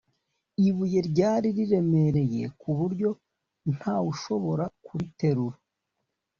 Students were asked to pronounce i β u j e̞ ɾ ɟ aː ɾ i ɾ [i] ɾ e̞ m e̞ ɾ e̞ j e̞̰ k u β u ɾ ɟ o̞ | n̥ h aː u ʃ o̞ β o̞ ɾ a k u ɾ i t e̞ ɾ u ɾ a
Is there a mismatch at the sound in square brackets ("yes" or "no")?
no